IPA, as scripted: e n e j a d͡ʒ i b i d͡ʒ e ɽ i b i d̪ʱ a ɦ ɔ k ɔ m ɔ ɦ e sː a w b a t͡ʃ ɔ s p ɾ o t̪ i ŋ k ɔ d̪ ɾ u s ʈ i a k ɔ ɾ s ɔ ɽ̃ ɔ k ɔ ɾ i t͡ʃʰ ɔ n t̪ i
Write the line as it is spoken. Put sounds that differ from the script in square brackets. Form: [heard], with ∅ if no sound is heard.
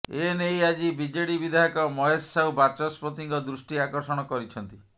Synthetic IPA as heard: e n e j a d͡ʒ i b i d͡ʒ e ɽ i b i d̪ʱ a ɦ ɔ k ɔ m ɔ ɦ e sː a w b a t͡ʃ ɔ s p ɾ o t̪ i ŋ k ɔ d̪ ɾ u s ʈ i a k ɔ ɾ s ɔ ɽ̃ ɔ k ɔ ɾ i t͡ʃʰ ɔ n t̪ i